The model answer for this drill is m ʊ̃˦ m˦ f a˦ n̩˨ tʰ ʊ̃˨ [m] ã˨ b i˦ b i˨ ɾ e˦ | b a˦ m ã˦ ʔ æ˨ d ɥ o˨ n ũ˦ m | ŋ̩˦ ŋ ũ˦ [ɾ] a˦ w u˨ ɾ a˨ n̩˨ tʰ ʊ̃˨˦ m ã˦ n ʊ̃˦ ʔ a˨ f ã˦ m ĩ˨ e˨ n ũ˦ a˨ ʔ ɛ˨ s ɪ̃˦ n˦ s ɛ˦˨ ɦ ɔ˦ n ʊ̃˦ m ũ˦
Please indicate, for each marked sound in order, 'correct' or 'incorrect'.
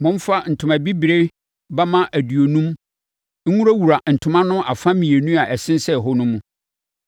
correct, correct

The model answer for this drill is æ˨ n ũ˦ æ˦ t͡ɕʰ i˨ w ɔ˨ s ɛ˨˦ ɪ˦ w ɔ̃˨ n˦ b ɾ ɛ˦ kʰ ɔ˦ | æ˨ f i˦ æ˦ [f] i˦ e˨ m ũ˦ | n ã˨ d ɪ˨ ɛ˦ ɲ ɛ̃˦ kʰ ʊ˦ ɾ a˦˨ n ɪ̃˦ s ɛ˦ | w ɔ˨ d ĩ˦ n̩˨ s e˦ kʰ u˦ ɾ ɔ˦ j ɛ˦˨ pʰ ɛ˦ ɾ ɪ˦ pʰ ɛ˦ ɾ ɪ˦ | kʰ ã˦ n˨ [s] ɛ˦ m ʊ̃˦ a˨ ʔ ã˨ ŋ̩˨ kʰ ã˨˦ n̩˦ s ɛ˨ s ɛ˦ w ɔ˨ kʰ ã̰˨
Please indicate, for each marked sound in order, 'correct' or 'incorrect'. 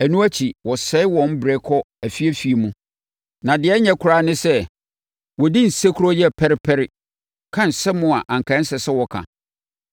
correct, correct

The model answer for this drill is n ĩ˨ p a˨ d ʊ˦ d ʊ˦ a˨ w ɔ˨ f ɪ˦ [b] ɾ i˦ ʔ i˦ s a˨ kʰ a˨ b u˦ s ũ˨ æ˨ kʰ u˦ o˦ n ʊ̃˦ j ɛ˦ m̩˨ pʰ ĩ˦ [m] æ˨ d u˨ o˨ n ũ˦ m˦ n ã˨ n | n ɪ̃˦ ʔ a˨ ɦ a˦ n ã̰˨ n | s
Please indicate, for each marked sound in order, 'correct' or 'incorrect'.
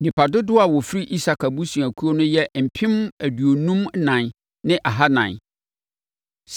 incorrect: none, correct

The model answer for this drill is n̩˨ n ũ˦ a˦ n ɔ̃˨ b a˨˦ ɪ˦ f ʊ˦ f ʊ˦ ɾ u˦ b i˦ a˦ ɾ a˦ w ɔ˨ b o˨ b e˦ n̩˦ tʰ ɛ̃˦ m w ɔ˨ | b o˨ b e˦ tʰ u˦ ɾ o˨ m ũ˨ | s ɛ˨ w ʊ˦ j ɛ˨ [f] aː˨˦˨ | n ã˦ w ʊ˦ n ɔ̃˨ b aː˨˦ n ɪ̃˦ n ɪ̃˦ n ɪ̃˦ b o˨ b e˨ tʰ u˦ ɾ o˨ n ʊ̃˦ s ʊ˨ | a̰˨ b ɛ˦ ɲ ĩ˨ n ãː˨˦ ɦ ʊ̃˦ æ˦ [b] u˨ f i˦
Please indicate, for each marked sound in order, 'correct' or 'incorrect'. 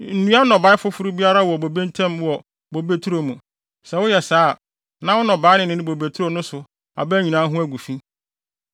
incorrect: s, incorrect: ɡ

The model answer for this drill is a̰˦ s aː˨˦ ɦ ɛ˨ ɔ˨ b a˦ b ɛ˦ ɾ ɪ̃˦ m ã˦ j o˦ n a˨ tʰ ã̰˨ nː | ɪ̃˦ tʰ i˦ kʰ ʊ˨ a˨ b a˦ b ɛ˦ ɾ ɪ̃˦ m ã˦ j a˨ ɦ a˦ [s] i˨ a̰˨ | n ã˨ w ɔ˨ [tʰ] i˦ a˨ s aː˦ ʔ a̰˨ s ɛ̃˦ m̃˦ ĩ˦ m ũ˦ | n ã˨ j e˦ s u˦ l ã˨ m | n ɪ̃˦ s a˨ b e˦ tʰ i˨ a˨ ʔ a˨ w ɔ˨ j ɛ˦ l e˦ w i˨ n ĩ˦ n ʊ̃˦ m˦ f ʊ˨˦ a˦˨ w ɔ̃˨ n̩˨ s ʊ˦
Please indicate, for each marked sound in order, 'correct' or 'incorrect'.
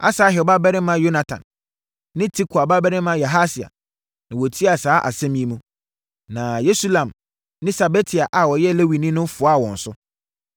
correct, correct

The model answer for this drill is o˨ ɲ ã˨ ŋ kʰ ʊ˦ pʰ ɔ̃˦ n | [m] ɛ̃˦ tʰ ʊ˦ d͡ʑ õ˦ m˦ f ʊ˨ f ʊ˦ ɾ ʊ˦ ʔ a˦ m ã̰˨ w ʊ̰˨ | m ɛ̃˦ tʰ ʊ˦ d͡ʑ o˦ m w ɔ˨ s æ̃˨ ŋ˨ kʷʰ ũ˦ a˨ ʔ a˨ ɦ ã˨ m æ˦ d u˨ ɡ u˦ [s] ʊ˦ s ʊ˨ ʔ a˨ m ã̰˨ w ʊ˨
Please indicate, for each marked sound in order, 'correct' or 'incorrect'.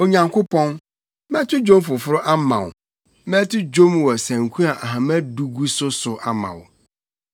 correct, correct

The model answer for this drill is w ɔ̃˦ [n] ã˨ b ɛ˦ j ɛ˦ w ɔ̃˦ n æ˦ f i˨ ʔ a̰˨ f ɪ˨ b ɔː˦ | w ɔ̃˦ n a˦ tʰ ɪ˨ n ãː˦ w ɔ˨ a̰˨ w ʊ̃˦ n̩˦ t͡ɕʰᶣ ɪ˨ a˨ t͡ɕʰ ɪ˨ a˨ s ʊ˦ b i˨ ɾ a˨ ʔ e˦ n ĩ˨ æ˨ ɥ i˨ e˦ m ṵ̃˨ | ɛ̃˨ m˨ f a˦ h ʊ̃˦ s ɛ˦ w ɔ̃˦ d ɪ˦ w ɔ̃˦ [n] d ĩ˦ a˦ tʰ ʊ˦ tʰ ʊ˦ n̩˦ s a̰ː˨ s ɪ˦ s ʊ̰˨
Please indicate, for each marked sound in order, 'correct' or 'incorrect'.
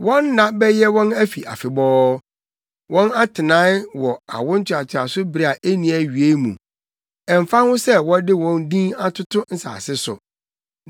incorrect: nː, correct

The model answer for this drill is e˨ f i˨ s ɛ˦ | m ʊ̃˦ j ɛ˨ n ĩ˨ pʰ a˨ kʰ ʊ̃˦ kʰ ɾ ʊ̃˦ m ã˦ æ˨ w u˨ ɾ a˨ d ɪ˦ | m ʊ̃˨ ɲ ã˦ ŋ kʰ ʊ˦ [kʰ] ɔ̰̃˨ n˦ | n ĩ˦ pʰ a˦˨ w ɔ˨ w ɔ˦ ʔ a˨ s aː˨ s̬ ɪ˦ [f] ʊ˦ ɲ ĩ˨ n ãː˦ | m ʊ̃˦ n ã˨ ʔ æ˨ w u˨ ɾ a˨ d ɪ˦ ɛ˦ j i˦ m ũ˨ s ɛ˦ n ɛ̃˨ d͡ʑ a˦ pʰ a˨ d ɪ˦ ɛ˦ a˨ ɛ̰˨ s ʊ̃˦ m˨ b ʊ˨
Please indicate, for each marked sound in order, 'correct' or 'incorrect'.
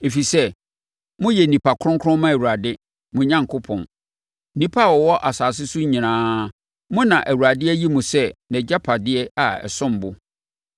incorrect: pʰ, incorrect: s

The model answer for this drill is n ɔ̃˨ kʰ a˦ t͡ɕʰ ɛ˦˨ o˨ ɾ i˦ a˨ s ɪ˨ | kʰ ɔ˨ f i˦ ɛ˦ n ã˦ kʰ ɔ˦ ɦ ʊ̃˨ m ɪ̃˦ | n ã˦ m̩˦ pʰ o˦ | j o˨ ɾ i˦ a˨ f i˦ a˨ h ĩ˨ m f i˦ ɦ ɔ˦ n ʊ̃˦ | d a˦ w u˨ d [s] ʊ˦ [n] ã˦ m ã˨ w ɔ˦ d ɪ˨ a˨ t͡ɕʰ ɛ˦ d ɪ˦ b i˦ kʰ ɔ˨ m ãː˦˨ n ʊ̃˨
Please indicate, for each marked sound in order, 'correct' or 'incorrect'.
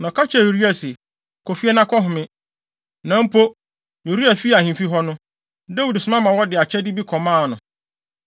correct, incorrect: m

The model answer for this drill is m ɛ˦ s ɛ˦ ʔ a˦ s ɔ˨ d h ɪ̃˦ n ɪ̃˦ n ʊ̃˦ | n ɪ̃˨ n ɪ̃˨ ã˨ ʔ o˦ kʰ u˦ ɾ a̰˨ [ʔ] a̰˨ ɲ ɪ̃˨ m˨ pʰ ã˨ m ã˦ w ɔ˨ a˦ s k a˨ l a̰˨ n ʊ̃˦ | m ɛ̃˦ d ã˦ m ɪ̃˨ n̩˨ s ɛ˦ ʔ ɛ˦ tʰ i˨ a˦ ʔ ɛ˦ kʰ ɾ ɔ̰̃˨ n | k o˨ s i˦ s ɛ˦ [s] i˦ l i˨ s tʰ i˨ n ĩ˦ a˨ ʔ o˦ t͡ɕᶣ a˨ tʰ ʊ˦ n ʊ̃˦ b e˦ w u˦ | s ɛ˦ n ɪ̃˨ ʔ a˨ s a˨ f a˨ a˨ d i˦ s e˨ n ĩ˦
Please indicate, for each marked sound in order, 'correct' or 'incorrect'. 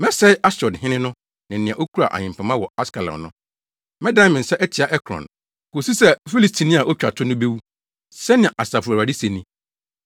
correct, incorrect: f

